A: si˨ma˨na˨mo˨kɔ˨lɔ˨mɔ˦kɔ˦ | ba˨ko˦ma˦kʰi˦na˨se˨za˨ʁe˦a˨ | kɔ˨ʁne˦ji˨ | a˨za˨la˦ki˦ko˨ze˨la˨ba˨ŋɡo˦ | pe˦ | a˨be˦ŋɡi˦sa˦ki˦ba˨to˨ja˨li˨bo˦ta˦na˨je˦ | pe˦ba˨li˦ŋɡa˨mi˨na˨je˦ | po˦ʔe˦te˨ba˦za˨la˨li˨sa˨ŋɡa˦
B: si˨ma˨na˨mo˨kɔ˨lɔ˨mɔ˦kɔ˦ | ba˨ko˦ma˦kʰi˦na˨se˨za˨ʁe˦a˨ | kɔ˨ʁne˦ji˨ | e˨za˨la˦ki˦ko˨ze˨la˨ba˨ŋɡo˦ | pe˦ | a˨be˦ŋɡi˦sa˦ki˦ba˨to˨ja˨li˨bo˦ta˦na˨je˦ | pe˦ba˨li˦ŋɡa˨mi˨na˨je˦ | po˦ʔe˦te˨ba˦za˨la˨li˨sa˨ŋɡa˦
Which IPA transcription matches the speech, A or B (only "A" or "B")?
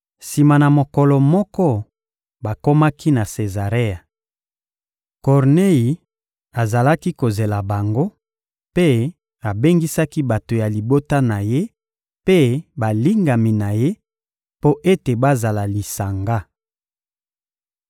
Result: A